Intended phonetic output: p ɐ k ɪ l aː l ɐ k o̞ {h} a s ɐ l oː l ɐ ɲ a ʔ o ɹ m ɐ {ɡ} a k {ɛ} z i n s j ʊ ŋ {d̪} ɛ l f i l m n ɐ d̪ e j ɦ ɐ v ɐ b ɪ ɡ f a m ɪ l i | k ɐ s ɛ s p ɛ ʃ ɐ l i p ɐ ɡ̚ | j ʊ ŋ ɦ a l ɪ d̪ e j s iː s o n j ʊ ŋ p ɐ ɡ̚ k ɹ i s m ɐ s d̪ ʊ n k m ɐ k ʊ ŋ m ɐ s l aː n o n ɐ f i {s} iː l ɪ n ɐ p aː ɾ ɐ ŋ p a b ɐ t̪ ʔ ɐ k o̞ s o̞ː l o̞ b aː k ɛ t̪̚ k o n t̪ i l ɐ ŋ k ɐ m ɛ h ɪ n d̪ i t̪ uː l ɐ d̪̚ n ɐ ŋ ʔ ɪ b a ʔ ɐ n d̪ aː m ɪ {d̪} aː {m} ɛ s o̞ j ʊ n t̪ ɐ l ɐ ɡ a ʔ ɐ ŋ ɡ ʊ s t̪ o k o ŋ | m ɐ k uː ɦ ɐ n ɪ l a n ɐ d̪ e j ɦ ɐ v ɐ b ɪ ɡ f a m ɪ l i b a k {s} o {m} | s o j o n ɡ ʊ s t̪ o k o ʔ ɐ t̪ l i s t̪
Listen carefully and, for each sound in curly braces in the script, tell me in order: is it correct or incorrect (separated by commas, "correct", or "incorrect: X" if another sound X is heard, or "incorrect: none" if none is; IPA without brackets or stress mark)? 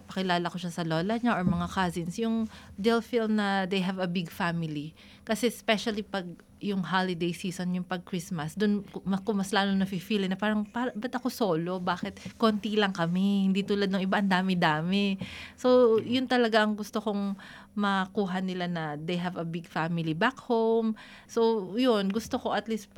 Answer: incorrect: ʃ, incorrect: ŋ, incorrect: a, correct, incorrect: f, correct, correct, incorrect: h, correct